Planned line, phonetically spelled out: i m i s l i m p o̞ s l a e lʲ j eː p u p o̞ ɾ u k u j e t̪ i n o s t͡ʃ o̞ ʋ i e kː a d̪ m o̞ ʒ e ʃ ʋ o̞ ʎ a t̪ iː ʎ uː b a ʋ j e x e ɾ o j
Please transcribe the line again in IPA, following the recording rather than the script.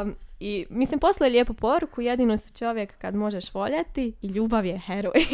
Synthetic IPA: i m i s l i m p o̞ s l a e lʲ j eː p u p o̞ ɾ u k u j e d̪ i n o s t͡ʃ o̞ ʋ j e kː a d̪ m o̞ ʒ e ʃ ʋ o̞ ʎ a t̪ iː ʎ uː b a ʋ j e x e ɾ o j